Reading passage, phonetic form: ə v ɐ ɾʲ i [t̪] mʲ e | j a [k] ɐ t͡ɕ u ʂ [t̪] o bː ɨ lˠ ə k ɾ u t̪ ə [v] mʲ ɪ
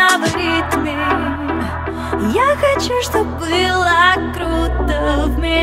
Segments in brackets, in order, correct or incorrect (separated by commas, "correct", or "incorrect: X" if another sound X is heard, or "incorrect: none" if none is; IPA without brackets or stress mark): correct, incorrect: x, correct, correct